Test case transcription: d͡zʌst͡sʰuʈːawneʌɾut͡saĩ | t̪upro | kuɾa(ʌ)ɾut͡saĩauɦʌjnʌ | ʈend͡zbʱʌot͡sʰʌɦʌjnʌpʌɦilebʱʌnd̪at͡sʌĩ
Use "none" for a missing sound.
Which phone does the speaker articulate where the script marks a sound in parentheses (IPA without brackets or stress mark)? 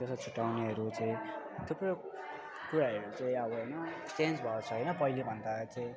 ʌ